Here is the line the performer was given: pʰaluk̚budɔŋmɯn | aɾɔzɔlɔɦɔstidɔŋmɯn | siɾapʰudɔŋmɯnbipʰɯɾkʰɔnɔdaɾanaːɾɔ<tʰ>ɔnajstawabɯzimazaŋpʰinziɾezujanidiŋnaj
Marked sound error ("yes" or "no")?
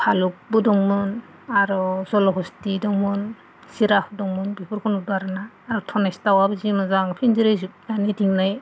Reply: no